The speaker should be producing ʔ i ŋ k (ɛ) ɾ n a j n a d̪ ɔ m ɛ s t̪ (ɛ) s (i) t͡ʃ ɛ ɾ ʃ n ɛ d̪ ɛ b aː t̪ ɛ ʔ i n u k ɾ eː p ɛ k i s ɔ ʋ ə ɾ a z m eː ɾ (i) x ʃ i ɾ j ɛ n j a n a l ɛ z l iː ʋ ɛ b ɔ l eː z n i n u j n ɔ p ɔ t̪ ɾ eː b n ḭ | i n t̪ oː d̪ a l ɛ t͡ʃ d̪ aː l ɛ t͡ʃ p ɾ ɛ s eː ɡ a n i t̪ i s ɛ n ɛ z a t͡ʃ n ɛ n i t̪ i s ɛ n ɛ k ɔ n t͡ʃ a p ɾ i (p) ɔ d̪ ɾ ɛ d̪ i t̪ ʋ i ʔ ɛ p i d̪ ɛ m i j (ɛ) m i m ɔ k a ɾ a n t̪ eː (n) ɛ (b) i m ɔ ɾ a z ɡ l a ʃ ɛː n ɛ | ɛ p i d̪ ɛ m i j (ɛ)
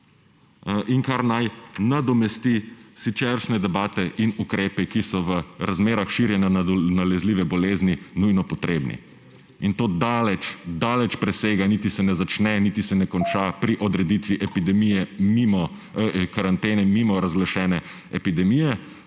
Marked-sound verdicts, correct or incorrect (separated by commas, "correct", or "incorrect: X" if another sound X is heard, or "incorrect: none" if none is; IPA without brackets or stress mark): incorrect: a, incorrect: i, correct, incorrect: a, incorrect: ʔ, correct, correct, incorrect: m, correct